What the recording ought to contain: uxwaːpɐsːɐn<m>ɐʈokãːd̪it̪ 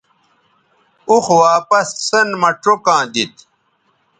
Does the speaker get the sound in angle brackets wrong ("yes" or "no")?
no